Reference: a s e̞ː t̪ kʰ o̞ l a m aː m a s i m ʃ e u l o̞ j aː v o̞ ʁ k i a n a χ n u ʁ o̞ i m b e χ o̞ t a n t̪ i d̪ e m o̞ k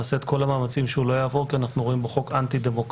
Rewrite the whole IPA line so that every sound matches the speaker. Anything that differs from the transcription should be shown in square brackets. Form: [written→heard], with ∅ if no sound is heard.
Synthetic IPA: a s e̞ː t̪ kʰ o̞ l a m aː m a [s→t͡s] i m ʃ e u l o̞ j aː v o̞ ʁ k i a n a χ n u ʁ o̞ i m b e χ o̞ [t→k] a n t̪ i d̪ e m o̞ k